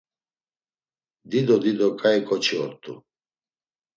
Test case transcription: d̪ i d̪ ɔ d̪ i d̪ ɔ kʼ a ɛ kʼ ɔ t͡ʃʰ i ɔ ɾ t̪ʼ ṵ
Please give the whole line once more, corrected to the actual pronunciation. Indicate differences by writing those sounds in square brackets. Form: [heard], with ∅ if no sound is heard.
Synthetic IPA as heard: d̪ i d̪ ɔ d̪ i d̪ ɔ kʼ a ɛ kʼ ɔ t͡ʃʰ i ɔ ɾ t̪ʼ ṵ